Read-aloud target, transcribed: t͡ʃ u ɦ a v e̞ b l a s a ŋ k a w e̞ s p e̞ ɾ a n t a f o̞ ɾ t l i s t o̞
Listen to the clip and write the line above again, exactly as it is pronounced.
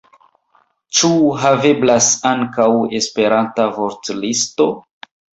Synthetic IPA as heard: t͡ʃ u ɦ a v e̞ b l a s a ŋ k a w e̞ s p e̞ ɾ a n t a v o̞ ɾ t l i s t o̞

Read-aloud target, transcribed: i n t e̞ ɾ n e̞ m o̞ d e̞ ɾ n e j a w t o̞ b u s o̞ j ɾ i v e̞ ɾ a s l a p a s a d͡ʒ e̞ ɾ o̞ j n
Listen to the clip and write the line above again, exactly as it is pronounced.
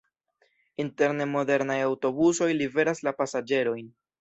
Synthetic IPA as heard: i n t e̞ ɾ n e̞ m o̞ d e̞ ɾ n a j a w t o̞ b u s o̞ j l i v e̞ ɾ a s l a p a s a d͡ʒ e̞ ɾ o̞ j n

